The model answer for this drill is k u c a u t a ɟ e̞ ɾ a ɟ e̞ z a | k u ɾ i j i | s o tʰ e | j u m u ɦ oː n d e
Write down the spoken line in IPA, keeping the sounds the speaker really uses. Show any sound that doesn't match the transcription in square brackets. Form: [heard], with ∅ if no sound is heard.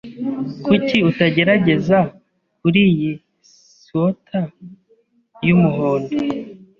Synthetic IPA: k u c [i] u t a ɟ e̞ ɾ a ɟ e̞ z a | k u ɾ i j i | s o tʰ [a] | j u m u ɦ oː n d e